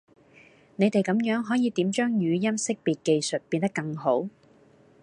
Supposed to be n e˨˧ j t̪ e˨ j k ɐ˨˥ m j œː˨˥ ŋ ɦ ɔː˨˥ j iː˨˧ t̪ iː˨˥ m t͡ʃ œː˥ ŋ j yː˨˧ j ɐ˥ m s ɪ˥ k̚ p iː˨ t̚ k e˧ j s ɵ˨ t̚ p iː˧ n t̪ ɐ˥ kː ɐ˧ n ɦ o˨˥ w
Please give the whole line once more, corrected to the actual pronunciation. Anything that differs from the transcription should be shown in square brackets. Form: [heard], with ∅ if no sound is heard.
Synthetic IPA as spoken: n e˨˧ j t̪ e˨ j k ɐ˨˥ m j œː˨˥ ŋ ɦ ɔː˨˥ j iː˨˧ t̪ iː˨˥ m t͡ʃ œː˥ ŋ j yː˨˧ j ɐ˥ m s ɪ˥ k̚ p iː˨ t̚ k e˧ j s ɵ˨ t̚ p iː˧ n t̪ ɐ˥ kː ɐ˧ [ŋ] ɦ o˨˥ w